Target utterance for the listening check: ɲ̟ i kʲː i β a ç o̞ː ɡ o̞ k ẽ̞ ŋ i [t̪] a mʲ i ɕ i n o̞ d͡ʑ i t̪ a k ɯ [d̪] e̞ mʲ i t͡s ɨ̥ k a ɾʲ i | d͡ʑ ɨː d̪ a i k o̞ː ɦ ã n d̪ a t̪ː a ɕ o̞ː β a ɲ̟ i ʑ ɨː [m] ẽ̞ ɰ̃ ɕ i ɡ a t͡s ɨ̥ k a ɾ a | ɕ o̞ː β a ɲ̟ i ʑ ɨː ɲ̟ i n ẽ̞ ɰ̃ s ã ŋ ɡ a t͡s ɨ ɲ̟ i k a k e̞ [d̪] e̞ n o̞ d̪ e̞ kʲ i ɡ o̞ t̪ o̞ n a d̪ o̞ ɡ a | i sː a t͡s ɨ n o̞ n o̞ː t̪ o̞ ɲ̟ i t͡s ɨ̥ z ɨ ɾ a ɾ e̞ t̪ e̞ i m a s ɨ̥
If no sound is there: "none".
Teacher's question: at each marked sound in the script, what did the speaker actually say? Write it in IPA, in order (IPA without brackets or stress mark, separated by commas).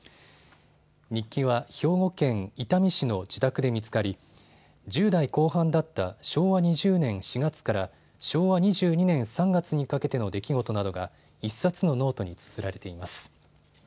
t̪, d̪, n, t̪